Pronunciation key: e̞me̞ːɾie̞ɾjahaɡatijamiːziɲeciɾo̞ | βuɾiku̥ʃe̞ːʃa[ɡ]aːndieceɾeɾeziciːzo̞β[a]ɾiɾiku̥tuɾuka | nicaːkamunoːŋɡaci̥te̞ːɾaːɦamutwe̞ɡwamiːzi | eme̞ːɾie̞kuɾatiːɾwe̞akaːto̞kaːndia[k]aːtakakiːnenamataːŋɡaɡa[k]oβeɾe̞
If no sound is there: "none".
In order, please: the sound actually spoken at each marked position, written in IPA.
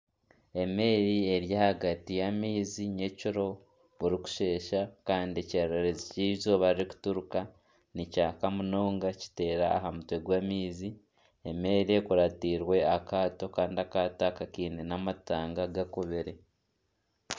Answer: k, a, k, k

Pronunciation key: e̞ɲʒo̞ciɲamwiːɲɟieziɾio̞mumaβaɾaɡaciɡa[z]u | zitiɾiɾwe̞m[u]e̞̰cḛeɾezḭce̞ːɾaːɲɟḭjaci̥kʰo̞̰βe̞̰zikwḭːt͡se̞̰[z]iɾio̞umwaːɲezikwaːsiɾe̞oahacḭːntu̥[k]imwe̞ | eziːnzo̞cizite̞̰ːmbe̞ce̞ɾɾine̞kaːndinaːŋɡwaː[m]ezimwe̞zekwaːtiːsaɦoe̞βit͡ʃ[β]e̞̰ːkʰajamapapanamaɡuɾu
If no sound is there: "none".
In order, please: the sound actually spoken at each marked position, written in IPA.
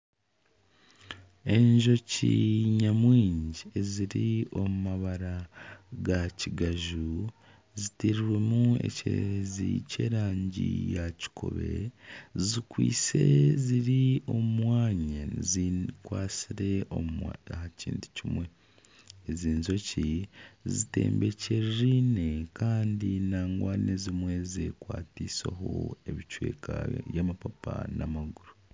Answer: ʒ, u, z, c, n, w

